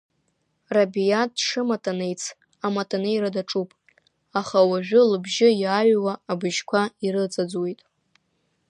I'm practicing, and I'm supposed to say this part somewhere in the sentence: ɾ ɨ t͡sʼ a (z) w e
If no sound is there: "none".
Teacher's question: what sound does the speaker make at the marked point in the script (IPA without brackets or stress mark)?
d͡z